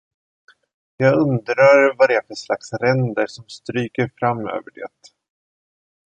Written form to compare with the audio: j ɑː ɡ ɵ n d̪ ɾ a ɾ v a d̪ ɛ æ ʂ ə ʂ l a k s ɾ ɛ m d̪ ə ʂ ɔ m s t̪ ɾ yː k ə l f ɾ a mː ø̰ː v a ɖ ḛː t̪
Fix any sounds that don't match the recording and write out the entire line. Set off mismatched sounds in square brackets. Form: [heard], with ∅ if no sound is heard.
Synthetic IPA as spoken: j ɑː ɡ ɵ n d̪ ɾ a ɾ v a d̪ ɛ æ [f] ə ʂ l a k s ɾ ɛ [n] d̪ ə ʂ ɔ m s t̪ ɾ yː k ə [ɾ] f ɾ a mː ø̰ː v [ə] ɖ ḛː t̪